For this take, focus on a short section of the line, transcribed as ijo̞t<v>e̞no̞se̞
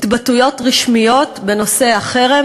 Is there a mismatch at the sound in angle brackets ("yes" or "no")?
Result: yes